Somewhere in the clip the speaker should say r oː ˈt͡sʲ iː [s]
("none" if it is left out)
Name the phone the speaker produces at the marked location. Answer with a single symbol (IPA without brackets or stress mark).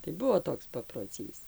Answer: s